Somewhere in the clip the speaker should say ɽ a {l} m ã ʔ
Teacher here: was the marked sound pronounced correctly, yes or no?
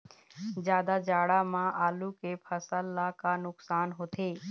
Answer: no